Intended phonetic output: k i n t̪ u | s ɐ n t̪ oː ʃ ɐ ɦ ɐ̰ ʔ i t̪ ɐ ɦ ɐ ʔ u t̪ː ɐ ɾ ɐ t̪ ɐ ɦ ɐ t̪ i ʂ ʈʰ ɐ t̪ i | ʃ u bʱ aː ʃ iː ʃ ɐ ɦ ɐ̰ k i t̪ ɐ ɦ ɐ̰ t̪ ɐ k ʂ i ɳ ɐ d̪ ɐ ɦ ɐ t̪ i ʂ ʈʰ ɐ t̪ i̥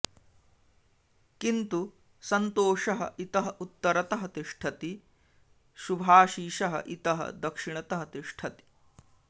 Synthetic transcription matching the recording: k i n t̪ u | s ɐ n t̪ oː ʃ ɐ ɦ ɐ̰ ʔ i t̪ ɐ ɦ ɐ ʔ u t̪ː ɐ ɾ ɐ t̪ ɐ ɦ ɐ t̪ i ʂ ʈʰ ɐ t̪ i | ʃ u bʱ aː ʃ iː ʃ ɐ ɦ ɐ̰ ʔ i t̪ ɐ ɦ ɐ̰ d̪ ɐ k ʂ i ɳ ɐ t̪ ɐ ɦ ɐ t̪ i ʂ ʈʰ ɐ t̪ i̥

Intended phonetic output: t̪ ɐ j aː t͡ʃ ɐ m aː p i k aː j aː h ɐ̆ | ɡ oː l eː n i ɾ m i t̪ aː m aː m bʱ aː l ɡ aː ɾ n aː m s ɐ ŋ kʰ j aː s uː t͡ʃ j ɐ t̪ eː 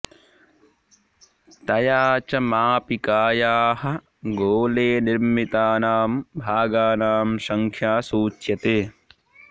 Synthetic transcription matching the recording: t̪ ɐ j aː t͡ʃ ɐ m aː p i k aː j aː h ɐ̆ | ɡ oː l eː n i ɾ m i t̪ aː n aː m bʱ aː ɡ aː n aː m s ɐ ŋ kʰ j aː s uː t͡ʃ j ɐ t̪ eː

